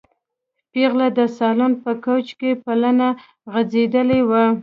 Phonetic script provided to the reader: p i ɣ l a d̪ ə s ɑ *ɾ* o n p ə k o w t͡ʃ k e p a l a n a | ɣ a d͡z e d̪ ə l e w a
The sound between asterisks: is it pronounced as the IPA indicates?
no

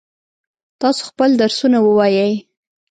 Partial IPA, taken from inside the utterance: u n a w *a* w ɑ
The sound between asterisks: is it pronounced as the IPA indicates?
no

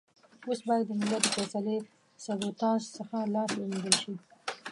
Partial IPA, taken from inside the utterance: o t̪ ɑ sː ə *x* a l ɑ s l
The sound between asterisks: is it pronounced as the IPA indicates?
yes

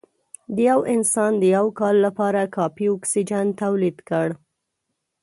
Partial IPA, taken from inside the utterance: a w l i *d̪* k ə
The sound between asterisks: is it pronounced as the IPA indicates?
yes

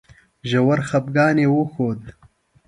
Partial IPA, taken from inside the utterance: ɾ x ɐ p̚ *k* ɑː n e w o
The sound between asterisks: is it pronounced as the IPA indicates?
no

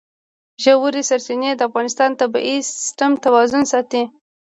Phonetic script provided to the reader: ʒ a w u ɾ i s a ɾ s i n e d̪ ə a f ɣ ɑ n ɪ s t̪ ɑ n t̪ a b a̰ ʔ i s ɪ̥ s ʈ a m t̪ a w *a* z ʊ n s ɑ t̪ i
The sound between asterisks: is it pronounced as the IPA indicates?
no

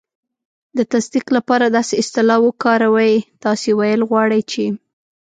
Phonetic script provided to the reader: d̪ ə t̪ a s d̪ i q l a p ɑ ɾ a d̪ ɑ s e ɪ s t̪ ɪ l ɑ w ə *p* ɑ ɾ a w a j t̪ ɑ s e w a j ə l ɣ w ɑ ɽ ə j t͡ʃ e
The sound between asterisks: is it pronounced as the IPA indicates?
no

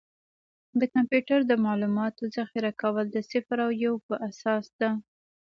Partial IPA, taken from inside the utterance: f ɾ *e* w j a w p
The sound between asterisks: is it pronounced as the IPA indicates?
no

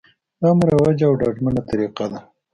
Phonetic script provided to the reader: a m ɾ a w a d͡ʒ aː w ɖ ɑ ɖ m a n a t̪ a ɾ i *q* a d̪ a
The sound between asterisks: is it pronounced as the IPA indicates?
yes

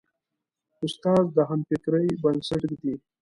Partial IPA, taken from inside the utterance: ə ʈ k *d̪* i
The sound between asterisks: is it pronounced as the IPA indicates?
yes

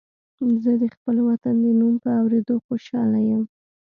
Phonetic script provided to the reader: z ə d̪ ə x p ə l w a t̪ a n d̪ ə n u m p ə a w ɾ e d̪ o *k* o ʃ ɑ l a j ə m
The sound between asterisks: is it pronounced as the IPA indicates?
no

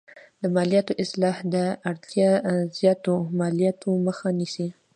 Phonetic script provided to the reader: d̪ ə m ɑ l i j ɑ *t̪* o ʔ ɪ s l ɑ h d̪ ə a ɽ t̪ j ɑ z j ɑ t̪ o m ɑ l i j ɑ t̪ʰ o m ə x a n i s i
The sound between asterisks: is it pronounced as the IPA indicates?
yes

